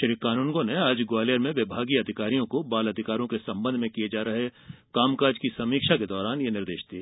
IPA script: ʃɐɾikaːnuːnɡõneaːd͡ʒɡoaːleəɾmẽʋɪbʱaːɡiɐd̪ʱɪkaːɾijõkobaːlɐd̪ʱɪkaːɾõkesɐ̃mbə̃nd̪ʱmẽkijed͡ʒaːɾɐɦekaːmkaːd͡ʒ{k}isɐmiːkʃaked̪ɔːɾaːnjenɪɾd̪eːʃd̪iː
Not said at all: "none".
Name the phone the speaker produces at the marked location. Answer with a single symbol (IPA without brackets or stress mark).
k